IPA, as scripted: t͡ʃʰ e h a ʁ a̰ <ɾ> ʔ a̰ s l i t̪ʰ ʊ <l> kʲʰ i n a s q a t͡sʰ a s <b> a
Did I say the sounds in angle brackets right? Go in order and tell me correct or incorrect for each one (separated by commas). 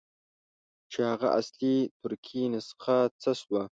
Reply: incorrect, incorrect, incorrect